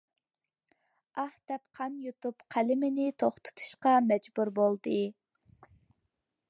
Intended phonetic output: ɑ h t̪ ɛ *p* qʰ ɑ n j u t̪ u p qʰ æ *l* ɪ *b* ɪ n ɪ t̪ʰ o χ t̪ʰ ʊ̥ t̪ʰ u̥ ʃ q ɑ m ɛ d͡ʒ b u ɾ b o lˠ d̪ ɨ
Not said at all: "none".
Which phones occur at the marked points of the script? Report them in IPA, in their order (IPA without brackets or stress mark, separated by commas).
p, l, m